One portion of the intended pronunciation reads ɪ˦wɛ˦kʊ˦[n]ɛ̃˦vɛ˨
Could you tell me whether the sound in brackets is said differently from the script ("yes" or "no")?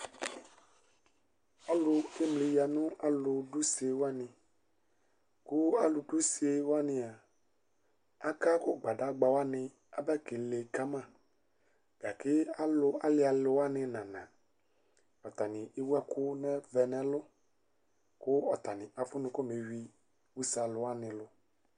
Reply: no